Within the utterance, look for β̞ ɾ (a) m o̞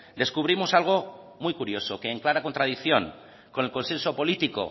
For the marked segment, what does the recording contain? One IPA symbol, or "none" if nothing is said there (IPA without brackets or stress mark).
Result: i